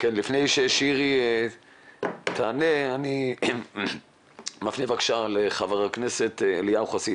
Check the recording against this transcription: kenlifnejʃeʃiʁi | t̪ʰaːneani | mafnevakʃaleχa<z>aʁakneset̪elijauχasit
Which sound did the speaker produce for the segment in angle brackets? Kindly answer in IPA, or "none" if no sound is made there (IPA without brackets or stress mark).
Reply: v